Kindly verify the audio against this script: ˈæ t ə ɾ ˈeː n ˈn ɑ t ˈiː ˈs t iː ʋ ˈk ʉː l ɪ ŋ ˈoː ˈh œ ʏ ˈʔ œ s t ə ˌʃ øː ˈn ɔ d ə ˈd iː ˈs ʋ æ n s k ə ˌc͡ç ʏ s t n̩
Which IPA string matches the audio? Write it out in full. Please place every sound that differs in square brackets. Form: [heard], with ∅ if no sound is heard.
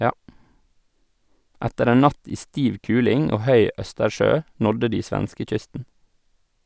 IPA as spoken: ˈæ t ə ɾ ˈeː n ˈn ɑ t ˈiː ˈs t iː ʋ ˈk ʉː l ɪ ŋ ˈoː ˈh œ ʏ ˈʔ œ s t ə ˌʃ øː ˈn ɔ d ə ˈd iː ˈs ʋ æ n s k ə ˌc͡ç ʏ s t n̩